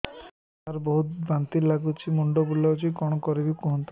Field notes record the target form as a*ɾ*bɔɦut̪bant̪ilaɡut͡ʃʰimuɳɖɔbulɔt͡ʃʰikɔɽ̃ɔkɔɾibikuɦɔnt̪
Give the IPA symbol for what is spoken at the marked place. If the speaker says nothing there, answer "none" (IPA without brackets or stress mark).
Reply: ɾ